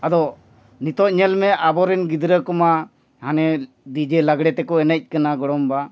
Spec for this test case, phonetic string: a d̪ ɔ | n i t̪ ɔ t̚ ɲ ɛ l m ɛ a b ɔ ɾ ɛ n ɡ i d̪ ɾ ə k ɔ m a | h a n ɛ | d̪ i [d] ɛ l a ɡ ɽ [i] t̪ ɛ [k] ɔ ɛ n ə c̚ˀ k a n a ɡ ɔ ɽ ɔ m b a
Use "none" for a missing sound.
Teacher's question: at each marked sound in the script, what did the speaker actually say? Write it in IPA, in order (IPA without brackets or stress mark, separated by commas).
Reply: d͡ʒ, ɛ, k